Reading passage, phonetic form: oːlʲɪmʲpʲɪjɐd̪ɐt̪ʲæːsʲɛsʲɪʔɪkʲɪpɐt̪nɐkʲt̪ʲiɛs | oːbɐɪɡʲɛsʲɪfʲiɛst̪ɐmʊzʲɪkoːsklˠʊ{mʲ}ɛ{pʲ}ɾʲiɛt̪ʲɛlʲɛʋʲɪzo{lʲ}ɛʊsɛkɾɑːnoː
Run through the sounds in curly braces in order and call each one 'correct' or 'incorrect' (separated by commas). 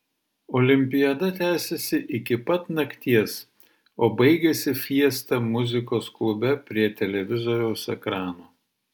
incorrect, correct, incorrect